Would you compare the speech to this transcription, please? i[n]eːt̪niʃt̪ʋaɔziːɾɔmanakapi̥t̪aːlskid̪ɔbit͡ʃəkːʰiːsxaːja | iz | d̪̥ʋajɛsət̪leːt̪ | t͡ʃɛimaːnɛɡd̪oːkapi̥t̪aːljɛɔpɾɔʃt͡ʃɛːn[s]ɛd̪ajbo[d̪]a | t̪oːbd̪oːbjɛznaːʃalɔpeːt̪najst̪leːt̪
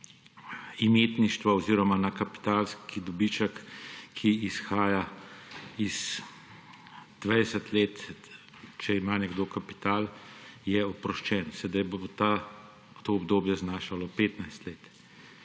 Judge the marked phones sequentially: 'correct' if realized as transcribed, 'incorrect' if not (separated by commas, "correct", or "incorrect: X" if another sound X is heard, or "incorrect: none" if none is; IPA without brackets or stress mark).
incorrect: m, correct, incorrect: t̪